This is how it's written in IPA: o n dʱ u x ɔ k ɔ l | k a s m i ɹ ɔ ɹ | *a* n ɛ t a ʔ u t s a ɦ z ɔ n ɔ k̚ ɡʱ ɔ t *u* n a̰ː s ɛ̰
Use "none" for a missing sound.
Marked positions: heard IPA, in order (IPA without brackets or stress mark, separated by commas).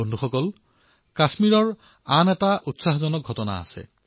a, ɔ